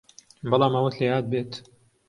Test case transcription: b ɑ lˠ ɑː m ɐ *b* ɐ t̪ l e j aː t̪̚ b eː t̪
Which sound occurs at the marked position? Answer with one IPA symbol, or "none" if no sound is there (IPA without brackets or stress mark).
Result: w